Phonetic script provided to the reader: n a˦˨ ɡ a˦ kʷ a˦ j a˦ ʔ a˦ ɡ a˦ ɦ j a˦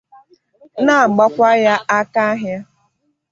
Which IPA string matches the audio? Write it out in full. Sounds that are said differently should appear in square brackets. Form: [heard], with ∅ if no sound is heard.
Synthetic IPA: n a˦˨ [ɡ͡b] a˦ kʷ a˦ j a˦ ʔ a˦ [k] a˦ ɦ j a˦